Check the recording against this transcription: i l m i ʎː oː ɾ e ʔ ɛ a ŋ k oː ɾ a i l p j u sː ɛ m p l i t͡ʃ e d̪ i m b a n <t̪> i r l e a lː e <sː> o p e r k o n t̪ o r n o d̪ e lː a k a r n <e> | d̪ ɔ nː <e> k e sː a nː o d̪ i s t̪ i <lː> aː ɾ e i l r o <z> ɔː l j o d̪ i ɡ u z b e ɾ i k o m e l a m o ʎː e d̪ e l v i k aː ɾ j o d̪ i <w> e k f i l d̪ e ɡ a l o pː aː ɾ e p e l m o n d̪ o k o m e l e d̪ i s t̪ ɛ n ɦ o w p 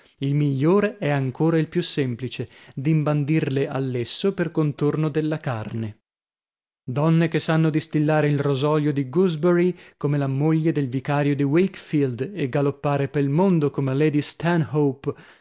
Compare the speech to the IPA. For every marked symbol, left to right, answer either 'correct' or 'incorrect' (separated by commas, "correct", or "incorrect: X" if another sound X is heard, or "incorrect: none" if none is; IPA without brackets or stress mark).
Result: incorrect: d̪, correct, correct, correct, correct, correct, correct